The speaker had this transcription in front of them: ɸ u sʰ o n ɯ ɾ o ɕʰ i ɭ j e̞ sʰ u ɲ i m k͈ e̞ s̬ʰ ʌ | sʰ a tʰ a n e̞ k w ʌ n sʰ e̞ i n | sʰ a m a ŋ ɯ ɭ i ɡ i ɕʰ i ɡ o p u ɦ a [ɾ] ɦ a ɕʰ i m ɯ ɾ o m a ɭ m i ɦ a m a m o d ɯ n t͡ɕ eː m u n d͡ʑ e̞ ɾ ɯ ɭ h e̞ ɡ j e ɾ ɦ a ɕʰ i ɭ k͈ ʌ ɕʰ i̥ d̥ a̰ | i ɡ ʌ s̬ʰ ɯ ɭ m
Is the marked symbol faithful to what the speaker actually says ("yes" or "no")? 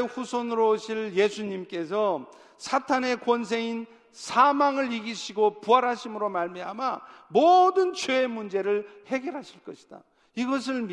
yes